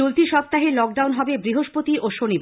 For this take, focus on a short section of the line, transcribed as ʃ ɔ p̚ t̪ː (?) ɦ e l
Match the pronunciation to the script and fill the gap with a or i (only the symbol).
a